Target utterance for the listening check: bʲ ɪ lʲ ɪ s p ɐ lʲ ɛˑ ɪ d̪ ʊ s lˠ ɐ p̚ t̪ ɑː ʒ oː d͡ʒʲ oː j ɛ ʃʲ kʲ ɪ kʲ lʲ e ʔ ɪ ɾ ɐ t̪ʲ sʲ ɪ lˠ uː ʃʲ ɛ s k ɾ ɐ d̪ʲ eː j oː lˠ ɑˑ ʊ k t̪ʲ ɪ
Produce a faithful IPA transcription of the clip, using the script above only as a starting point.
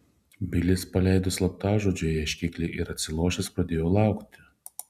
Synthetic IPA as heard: bʲ ɪ lʲ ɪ s p ɐ lʲ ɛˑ ɪ d̪ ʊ s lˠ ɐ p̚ t̪ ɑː ʒ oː d͡ʒʲ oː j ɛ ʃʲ kʲ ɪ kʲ lʲ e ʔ ɪ ɾ ɐ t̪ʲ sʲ ɪ lˠ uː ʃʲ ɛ s p ɾ ɐ d̪ʲ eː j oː lˠ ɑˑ ʊ k t̪ʲ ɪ